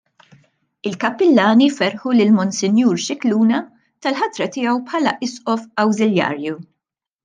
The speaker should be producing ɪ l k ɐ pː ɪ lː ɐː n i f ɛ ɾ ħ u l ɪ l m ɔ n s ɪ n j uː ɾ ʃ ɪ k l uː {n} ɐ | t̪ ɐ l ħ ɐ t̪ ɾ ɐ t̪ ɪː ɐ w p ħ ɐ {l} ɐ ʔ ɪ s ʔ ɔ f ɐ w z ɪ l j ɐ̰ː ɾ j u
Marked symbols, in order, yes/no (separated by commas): yes, yes